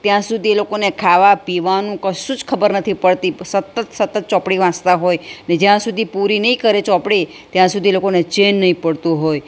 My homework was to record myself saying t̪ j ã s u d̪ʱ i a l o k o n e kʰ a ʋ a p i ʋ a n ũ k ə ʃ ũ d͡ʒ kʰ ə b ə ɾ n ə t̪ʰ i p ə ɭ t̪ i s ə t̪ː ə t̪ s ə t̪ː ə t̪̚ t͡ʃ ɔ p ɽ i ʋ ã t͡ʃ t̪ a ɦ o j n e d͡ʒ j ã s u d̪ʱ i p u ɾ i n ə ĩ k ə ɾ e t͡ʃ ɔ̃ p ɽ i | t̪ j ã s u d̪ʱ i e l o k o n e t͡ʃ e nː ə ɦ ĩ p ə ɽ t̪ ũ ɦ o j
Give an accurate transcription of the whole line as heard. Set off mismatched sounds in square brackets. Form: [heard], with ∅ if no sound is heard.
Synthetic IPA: t̪ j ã s u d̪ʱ i [e] l o k o n e kʰ a ʋ a p i ʋ a n ũ k ə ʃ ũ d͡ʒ kʰ ə b ə ɾ n ə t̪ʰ i p ə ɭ t̪ i s ə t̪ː ə t̪ s ə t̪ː ə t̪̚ t͡ʃ ɔ p ɽ i ʋ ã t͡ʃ t̪ a ɦ o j n e d͡ʒ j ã s u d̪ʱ i p u ɾ i n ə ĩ k ə ɾ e t͡ʃ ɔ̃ p ɽ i | t̪ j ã s u d̪ʱ i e l o k o n e t͡ʃ e nː ə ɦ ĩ p ə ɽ t̪ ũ ɦ o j